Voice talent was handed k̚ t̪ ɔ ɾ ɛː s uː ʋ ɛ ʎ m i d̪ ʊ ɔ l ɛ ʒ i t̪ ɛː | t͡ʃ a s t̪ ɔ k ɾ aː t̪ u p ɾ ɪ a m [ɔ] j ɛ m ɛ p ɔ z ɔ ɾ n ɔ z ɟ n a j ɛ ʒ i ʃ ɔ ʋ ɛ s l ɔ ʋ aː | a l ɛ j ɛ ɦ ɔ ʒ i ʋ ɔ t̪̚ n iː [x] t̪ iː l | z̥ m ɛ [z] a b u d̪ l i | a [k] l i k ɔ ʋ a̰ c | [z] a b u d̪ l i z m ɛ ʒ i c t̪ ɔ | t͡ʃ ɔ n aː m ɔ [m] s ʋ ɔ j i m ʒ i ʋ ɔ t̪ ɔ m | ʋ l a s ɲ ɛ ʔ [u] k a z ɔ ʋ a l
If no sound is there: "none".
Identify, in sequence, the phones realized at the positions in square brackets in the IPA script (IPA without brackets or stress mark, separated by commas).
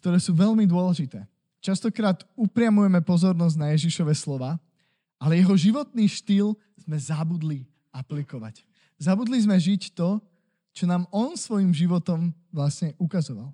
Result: u, ʃ, z, p, z, n, u